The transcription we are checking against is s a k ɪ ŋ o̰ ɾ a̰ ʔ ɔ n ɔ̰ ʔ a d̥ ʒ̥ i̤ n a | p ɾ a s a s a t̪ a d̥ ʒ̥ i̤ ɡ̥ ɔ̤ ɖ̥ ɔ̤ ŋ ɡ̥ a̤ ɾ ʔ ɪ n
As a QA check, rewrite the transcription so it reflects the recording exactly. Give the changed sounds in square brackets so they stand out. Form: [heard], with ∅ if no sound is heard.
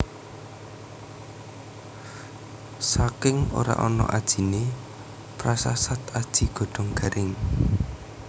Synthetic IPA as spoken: s a k ɪ ŋ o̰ ɾ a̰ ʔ ɔ n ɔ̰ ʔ a d̥ ʒ̥ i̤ n [e] | p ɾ a s a s a t̪ a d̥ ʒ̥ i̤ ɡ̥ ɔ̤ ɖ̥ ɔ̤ ŋ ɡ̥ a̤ ɾ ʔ ɪ [ŋ]